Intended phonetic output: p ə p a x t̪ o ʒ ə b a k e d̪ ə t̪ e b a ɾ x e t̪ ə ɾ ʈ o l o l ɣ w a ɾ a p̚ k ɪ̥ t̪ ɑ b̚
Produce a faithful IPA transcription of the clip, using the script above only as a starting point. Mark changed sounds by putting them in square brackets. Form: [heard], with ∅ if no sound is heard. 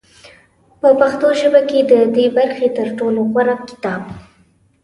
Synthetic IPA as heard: p ə p a x t̪ o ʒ ə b a k e d̪ ə [d̪] e b a ɾ x e t̪ ə ɾ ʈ o l o [∅] ɣ w a ɾ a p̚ k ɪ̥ t̪ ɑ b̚